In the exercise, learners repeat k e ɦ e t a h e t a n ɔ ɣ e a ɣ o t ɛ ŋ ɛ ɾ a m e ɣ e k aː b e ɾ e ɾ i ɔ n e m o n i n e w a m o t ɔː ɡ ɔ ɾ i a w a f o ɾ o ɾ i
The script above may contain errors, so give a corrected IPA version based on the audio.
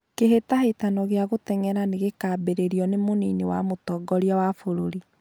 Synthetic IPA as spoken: k e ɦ e t a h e t a n ɔ ɣ e a ɣ o t ɛ ŋ ɛ ɾ a n e ɣ e k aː b e ɾ e ɾ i ɔ n e m o n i n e w a m o t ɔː ɡ ɔ ɾ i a w a f o ɾ o ɾ i